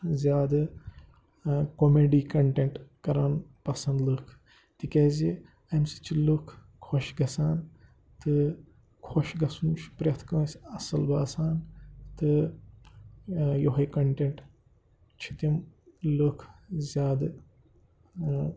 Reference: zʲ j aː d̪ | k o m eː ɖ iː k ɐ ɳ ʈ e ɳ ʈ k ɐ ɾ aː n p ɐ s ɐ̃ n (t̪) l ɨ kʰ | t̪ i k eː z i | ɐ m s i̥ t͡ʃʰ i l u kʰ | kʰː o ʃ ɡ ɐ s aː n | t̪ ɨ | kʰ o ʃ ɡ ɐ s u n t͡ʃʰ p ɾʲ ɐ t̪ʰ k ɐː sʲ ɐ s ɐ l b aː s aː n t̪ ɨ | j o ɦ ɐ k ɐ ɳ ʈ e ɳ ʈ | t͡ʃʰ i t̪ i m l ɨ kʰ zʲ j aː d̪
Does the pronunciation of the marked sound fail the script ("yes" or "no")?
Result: yes